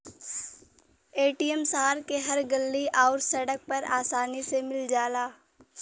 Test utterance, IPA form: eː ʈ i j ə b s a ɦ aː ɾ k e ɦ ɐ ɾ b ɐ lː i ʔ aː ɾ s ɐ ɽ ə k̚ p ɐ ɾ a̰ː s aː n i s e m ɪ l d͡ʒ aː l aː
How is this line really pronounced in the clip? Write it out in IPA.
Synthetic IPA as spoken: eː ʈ i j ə m s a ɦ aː ɾ k e ɦ ɐ ɾ ɡ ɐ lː i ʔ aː ɾ s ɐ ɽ ə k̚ p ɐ ɾ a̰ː s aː n i s e m ɪ l d͡ʒ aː l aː